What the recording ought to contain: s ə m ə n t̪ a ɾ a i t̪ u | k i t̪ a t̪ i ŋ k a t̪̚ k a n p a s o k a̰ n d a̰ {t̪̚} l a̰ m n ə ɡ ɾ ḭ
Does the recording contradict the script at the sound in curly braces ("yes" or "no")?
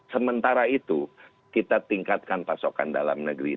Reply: yes